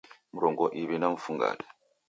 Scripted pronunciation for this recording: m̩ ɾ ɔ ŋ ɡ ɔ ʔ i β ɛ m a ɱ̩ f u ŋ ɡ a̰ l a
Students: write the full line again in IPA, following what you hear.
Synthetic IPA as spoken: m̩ ɾ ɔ ŋ ɡ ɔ ʔ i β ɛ n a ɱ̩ f u ŋ ɡ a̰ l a

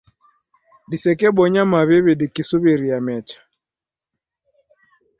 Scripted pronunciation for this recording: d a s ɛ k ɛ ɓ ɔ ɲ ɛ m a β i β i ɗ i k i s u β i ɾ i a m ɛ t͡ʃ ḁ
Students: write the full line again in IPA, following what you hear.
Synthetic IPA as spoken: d i s ɛ k ɛ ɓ ɔ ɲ a m a β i β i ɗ i k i s u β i ɾ i a m ɛ t͡ʃ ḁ

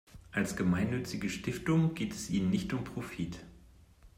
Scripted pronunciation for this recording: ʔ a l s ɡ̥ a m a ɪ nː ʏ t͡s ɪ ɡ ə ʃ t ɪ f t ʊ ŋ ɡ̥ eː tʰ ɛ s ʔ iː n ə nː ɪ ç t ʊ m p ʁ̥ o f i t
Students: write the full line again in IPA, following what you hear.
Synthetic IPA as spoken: ʔ a l s ɡ̥ ə m a ɪ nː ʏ t͡s ɪ ɡ ə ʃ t ɪ f t ʊ ŋ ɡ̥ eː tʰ ɛ s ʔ iː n ə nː ɪ ç t ʊ m p ʁ̥ o f i t

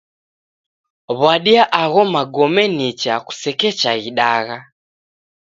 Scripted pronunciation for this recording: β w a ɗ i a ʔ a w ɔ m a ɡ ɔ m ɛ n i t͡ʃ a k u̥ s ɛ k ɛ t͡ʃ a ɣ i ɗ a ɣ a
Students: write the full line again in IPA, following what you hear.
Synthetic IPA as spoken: β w a ɗ i a ʔ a ɣ ɔ m a ɡ ɔ m ɛ n i t͡ʃ a k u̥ s ɛ k ɛ t͡ʃ a ɣ i ɗ a ɣ a

